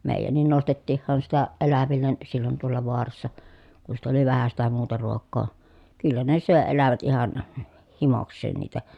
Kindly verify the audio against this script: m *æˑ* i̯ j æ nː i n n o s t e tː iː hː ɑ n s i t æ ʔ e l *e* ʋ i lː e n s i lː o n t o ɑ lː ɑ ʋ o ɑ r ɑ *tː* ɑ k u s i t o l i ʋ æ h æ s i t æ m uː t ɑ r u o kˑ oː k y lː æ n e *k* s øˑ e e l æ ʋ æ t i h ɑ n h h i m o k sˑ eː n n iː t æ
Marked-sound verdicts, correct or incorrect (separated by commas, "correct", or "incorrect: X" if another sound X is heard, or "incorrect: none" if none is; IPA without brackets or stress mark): incorrect: eˑ, incorrect: æ, incorrect: sː, incorrect: none